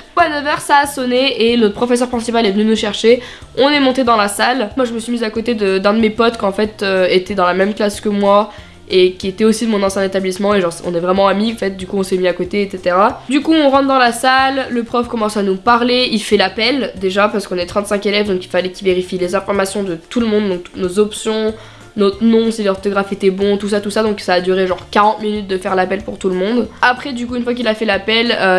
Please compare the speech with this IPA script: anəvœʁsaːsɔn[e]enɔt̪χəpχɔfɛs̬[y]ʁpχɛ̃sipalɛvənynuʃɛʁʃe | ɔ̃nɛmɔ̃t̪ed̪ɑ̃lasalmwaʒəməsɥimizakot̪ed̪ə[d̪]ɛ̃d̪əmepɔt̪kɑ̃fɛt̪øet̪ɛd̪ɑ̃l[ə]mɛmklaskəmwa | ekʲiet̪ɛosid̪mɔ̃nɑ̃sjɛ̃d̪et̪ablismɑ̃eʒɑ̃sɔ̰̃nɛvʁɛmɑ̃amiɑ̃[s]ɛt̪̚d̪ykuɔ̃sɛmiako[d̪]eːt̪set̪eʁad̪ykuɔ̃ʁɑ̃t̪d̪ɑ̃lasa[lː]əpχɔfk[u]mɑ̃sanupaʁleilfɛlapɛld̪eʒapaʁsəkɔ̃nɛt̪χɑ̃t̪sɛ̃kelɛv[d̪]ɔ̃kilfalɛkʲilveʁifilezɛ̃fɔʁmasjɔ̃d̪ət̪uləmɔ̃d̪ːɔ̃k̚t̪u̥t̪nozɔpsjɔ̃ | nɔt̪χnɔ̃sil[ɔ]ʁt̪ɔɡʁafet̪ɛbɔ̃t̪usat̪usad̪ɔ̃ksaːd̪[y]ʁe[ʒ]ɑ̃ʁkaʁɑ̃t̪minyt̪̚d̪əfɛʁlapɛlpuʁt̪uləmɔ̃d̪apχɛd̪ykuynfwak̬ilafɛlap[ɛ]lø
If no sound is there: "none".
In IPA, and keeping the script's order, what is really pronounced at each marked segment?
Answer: e, œ, d̪, a, f, t̪, lː, ɔ, d̪, ɔ, y, ʒ, ɛ

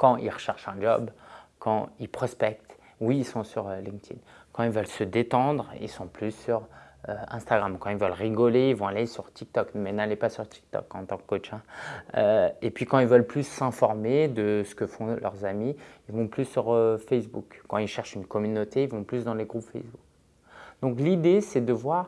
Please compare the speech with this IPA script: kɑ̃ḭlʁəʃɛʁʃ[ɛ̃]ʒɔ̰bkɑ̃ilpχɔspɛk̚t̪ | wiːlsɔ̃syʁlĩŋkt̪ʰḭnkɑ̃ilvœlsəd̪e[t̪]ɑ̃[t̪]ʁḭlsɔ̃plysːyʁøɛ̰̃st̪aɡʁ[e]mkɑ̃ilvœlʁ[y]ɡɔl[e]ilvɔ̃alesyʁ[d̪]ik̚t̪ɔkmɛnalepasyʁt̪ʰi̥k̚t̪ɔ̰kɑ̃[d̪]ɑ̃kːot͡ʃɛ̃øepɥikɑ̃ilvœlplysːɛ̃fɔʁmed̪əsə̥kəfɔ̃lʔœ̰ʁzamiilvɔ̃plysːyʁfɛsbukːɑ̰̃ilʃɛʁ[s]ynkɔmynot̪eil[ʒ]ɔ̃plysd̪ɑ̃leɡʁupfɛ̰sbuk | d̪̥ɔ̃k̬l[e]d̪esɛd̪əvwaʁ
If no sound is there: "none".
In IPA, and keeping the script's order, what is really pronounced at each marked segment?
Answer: ɛ̃, t̪, d̪, a, i, e, t̪, t̪, ʃ, v, i

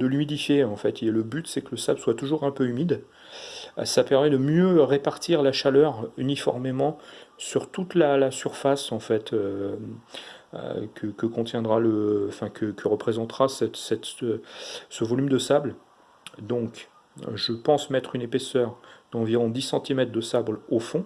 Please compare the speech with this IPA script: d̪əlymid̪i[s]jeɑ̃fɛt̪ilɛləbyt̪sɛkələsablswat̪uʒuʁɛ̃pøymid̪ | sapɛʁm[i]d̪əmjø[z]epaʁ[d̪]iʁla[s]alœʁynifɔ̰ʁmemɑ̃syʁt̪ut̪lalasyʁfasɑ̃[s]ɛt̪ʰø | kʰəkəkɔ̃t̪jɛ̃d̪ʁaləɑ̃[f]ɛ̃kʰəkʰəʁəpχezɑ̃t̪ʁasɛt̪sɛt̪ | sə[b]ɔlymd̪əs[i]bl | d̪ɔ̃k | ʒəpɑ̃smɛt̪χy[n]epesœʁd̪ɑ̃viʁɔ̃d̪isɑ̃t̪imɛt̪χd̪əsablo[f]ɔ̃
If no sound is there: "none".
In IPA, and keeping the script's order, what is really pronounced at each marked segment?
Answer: f, ɛ, ʁ, t̪, ʃ, f, f, v, a, n, f

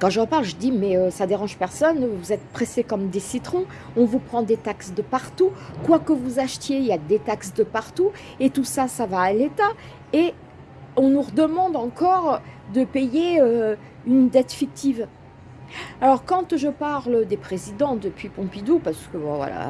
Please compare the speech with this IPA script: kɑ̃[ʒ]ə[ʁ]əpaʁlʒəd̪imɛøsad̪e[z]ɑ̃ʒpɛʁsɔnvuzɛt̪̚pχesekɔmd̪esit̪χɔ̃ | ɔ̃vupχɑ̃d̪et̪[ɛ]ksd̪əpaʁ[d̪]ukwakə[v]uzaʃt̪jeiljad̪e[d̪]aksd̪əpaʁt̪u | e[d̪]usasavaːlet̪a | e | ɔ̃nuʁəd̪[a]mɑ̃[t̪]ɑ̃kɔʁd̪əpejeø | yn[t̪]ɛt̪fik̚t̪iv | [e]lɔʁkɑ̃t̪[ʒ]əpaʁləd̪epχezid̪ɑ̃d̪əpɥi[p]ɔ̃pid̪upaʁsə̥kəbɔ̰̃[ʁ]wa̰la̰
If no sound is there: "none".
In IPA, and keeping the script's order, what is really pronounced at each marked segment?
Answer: ʒ, ʁ, ʁ, a, t̪, v, t̪, t̪, ə, d̪, d̪, a, ʒ, p, v

